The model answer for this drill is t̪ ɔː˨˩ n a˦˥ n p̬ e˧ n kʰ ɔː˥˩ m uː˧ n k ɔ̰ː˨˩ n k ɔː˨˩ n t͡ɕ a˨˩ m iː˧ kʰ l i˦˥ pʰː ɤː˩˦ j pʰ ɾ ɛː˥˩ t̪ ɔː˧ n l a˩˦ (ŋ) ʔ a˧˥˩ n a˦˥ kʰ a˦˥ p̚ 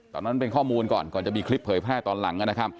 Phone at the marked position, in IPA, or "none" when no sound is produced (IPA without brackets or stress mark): ŋ